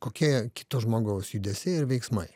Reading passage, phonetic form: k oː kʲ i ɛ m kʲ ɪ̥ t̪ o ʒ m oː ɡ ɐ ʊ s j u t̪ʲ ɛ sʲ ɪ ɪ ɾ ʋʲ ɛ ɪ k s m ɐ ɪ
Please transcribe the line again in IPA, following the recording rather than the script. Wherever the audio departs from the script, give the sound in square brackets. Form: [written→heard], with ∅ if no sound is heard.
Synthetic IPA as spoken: k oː kʲ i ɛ [m→∅] kʲ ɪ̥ t̪ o ʒ m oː ɡ ɐ ʊ s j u [t̪ʲ→d̪ʲ] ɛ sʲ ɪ ɪ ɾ ʋʲ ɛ ɪ k s m ɐ ɪ